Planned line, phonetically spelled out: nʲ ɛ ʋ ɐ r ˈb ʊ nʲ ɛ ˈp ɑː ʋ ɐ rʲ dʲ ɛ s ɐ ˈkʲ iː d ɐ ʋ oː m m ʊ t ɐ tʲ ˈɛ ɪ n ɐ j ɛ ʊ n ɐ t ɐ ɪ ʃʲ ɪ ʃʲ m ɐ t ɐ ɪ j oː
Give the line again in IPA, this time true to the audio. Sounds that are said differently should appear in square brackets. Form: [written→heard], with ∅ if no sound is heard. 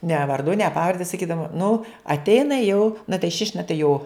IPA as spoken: nʲ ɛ ʋ ɐ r [ˈb→ˈd] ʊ nʲ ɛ ˈp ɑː ʋ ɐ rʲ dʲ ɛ s ɐ ˈkʲ iː d ɐ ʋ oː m [m→n] ʊ [t→∅] ɐ tʲ ˈɛ ɪ n ɐ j ɛ ʊ n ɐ t ɐ ɪ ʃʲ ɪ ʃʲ [m→n] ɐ t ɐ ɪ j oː